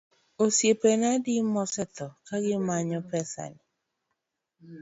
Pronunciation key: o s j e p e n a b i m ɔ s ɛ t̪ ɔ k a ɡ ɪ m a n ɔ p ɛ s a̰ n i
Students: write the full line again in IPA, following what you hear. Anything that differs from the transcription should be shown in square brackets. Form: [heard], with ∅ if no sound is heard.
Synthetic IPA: o s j e p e n a [d] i m ɔ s ɛ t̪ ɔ k a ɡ ɪ m a [ɲ] ɔ p ɛ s a̰ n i